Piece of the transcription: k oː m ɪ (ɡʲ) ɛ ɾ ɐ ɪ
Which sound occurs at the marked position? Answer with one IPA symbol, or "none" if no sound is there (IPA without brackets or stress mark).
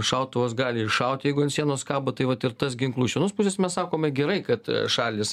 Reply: ɡʲ